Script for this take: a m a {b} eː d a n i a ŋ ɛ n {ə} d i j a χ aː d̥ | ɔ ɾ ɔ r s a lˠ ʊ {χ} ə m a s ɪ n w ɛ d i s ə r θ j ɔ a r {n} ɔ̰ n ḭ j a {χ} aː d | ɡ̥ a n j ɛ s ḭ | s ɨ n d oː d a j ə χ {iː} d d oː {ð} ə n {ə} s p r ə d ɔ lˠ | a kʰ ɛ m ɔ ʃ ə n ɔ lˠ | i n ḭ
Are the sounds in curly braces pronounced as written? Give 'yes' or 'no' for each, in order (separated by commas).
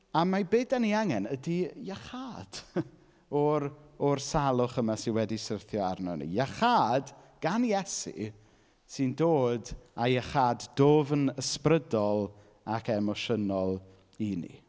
yes, yes, yes, yes, yes, no, no, yes